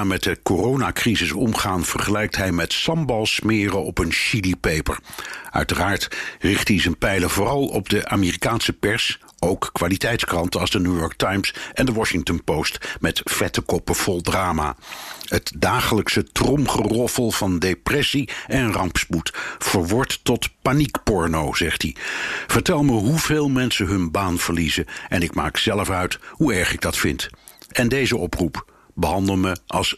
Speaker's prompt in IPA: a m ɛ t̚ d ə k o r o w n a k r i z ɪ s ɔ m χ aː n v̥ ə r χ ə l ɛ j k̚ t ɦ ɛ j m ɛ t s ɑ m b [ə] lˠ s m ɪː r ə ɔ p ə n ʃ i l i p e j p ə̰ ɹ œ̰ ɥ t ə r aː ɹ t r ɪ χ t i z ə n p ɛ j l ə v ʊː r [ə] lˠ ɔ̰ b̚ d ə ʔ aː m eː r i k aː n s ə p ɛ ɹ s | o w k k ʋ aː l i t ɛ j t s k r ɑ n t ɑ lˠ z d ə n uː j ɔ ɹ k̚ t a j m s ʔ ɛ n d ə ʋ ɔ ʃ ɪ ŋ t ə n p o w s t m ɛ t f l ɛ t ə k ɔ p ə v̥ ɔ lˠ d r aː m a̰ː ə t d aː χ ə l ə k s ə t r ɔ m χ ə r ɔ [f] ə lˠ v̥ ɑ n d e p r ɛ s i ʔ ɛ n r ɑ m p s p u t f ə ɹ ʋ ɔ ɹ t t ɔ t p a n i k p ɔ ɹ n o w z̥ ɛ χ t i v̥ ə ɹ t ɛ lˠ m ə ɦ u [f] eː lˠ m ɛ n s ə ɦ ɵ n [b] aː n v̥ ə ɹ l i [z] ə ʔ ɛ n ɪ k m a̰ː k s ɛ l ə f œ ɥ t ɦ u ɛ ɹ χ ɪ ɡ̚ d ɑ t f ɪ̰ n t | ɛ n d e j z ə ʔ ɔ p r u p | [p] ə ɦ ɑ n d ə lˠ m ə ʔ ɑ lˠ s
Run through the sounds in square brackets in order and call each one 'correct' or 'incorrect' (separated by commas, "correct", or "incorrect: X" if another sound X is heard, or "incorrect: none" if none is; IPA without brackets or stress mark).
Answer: incorrect: ɑ, incorrect: ɑ, correct, incorrect: v, correct, correct, incorrect: b